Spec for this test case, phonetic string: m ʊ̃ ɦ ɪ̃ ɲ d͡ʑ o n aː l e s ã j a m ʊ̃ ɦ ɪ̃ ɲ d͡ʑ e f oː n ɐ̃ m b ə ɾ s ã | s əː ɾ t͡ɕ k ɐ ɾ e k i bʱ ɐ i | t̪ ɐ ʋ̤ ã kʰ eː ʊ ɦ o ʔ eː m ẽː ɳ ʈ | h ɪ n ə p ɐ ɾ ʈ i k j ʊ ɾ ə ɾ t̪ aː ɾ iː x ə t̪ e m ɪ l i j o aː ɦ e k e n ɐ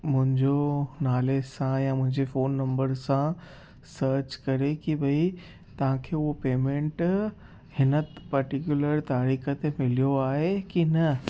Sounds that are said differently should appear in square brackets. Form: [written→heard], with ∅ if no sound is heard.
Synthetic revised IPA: m ʊ̃ ɦ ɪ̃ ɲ d͡ʑ o n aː l e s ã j a m ʊ̃ ɦ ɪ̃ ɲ d͡ʑ e f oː [n→nː] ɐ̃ m b ə ɾ s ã | s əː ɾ t͡ɕ k ɐ ɾ e k i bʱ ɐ i | t̪ ɐ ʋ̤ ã kʰ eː ʊ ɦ o [ʔ→p] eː m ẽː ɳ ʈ | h ɪ n ə p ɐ ɾ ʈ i k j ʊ [ɾ→l] ə ɾ t̪ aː ɾ iː x ə t̪ e m ɪ l i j o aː ɦ e k [e→i] n ɐ